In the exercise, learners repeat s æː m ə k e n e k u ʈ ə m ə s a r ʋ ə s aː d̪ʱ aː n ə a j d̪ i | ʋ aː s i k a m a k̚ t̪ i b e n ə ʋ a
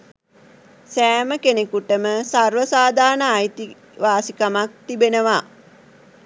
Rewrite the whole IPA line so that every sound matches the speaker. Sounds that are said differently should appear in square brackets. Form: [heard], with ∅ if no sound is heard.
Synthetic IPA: s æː m ə k e n e k u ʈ ə m ə s a r ʋ ə s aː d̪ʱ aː n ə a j [t̪] i | ʋ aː s i k a m a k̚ t̪ i b e n ə ʋ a